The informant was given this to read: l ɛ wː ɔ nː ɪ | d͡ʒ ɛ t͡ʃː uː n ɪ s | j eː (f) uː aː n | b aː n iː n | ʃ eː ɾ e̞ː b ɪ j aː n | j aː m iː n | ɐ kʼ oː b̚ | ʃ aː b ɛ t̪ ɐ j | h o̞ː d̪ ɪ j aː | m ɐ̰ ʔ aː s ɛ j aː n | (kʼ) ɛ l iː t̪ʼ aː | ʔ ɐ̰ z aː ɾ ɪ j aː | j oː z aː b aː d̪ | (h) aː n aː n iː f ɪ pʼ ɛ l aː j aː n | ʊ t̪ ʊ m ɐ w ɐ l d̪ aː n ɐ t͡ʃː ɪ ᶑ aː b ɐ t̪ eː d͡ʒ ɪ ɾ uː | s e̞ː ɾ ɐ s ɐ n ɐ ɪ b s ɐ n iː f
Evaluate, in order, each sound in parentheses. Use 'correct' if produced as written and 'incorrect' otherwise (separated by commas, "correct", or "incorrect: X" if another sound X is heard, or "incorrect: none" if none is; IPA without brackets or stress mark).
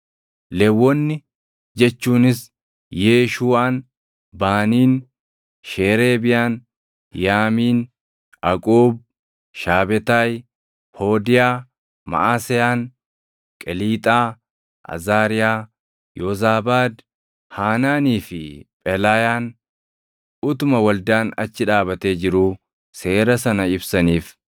incorrect: ʃ, correct, correct